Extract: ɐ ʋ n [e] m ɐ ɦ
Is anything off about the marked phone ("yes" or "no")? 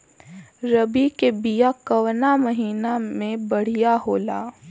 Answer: yes